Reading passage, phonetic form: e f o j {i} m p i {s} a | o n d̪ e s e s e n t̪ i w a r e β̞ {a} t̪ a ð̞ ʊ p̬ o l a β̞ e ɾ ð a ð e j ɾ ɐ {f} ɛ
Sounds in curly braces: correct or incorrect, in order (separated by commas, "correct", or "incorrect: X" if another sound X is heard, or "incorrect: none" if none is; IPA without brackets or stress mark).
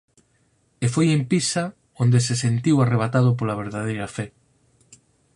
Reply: incorrect: e, correct, correct, correct